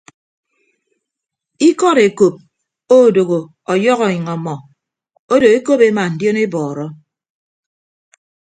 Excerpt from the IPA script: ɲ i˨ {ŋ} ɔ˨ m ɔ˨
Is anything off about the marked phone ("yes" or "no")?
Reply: no